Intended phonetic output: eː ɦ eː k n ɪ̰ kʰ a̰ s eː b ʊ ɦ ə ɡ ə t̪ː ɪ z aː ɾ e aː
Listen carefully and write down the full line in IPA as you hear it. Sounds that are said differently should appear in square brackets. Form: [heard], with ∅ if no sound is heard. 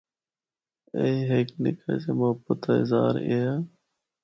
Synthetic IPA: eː ɦ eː k n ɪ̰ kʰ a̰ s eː [m] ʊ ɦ ə [b] ə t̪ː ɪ z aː ɾ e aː